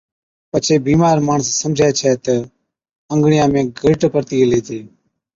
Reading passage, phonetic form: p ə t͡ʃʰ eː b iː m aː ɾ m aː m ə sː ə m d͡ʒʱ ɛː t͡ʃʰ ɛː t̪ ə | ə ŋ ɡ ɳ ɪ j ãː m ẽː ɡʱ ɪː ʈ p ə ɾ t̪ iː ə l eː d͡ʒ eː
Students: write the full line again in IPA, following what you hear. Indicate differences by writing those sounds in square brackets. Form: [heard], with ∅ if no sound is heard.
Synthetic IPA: p ə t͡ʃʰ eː b iː m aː ɾ m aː [ɳ] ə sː ə m d͡ʒʱ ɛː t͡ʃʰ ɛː t̪ ə | ə ŋ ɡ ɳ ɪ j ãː m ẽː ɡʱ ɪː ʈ p ə ɾ t̪ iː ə l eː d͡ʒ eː